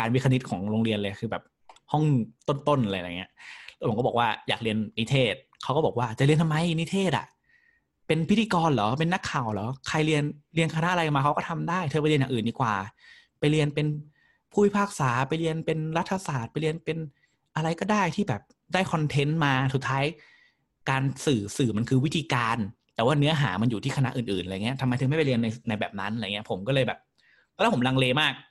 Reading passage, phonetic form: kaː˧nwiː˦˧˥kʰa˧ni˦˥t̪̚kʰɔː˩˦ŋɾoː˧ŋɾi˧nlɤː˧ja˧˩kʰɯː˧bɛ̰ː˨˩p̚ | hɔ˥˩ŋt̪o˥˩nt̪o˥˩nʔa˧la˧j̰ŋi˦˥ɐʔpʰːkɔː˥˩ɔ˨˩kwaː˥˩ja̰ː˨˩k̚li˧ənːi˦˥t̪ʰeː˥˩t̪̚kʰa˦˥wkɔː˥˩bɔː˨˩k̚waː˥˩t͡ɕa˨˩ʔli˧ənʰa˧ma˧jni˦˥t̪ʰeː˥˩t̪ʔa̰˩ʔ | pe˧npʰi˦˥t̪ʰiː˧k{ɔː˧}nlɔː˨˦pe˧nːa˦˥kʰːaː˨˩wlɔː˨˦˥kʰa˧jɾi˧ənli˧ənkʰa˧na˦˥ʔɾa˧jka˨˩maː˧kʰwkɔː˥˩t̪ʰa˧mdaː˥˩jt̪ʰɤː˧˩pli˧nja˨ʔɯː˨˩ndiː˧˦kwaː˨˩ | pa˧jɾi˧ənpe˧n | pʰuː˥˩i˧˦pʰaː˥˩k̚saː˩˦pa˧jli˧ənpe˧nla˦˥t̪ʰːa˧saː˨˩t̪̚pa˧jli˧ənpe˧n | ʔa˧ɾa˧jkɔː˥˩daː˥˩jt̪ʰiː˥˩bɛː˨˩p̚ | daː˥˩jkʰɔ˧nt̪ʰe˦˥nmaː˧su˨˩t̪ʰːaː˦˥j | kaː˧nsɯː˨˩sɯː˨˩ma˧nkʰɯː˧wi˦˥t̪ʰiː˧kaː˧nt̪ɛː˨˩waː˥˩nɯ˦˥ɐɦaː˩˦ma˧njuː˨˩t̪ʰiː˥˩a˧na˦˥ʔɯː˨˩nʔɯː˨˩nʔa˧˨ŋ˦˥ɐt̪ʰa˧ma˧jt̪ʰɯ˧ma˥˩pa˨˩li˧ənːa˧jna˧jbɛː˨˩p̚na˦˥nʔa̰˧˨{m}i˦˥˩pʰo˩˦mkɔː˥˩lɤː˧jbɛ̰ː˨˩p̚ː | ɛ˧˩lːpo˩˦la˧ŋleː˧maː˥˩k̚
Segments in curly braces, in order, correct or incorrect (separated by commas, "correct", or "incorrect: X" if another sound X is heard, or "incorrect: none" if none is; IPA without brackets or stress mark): correct, incorrect: ŋ